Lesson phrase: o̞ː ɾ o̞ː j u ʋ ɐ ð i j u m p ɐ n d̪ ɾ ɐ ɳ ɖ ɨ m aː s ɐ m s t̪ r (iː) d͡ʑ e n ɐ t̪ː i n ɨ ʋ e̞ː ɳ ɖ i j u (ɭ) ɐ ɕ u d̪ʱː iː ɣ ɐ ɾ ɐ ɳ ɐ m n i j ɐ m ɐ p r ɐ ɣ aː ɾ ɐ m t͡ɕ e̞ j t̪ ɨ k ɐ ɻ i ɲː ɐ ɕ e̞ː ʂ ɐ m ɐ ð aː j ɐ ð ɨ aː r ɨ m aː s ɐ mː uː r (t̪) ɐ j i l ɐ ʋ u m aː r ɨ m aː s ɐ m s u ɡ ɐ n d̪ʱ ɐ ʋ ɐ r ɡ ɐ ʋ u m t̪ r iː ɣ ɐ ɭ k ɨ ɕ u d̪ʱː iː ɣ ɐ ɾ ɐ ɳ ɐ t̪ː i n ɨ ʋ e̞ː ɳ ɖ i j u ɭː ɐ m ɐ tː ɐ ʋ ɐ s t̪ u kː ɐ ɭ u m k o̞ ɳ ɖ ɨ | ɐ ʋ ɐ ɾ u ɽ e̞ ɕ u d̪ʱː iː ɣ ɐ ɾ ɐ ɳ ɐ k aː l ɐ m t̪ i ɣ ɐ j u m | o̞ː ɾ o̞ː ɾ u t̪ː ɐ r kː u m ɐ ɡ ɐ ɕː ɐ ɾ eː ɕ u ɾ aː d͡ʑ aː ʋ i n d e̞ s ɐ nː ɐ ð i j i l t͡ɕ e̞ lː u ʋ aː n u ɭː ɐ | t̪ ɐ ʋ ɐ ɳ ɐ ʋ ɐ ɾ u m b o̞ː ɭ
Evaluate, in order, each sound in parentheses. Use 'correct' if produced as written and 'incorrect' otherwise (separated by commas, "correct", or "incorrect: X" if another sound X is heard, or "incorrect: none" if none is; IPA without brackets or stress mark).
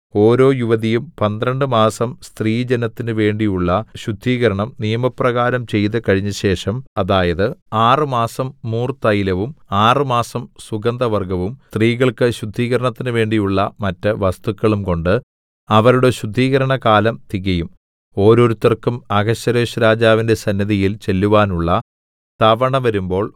correct, incorrect: ɭː, correct